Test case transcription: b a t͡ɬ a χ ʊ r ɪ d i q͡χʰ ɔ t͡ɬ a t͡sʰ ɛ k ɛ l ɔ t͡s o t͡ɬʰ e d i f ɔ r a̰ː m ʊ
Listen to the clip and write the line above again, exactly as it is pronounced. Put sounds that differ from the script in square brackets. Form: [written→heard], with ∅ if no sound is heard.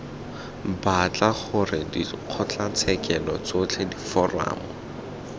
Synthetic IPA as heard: b a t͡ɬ a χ ʊ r ɪ d i q͡χʰ ɔ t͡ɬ a t͡sʰ ɛ k ɛ l ɔ t͡s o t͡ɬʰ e d i f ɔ r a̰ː m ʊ